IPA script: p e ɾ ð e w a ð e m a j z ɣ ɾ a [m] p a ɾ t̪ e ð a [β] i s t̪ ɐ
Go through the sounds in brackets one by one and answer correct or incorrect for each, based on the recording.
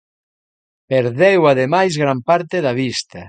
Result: correct, correct

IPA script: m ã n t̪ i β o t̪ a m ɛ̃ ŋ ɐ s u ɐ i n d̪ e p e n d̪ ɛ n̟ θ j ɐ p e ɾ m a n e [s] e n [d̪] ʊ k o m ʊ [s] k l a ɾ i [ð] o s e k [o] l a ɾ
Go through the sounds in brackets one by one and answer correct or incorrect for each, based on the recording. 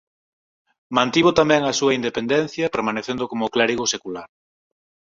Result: incorrect: θ, correct, incorrect: none, incorrect: ɣ, incorrect: u

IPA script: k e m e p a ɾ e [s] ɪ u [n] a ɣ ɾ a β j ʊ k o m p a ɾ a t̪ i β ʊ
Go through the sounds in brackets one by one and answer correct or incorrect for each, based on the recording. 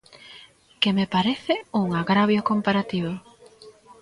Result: incorrect: θ, incorrect: ŋ

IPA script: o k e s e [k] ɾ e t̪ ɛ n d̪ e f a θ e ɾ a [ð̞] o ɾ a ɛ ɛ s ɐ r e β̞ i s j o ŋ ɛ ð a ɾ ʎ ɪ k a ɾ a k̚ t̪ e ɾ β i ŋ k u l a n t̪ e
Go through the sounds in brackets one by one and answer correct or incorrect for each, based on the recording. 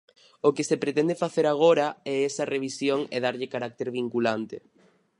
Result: incorrect: p, incorrect: ɣ̞

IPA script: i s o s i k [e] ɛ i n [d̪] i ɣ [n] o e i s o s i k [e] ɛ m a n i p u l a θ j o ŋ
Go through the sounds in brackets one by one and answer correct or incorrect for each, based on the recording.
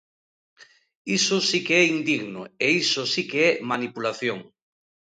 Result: correct, correct, correct, correct

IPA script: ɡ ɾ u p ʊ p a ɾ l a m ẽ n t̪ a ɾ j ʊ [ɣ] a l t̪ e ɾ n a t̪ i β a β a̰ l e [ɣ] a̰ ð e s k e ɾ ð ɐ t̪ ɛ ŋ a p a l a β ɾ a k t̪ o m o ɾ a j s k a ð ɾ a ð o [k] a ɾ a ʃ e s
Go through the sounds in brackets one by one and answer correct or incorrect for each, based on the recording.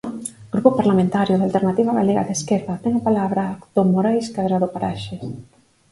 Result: incorrect: ð, correct, incorrect: p

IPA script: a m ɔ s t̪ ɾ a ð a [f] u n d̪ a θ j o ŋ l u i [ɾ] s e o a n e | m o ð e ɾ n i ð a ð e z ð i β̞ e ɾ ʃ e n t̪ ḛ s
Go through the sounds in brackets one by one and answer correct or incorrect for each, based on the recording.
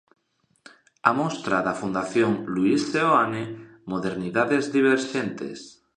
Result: correct, incorrect: none

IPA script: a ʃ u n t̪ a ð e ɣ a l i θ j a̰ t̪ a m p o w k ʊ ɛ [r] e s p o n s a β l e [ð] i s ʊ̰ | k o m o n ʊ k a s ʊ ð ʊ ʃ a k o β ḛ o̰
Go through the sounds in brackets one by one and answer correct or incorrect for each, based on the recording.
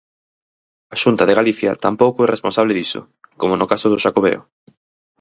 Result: correct, correct

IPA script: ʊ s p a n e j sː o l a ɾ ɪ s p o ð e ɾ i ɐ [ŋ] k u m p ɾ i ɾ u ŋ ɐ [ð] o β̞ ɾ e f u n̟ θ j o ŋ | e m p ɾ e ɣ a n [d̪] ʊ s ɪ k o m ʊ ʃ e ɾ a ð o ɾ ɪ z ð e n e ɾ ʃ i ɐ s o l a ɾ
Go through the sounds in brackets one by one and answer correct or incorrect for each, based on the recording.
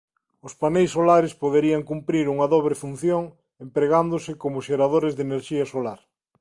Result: correct, correct, correct

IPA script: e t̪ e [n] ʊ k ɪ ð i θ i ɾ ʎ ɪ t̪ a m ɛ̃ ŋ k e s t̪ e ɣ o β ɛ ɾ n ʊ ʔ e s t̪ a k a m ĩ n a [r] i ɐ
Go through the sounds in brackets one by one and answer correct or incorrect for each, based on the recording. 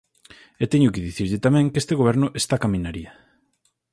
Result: incorrect: ɲ, incorrect: ɾ

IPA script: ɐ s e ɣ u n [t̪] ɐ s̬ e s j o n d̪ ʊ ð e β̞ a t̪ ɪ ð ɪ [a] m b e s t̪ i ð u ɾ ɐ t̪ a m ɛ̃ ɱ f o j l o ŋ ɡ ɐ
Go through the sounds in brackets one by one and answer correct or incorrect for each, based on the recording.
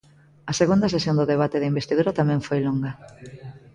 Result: incorrect: d̪, incorrect: i

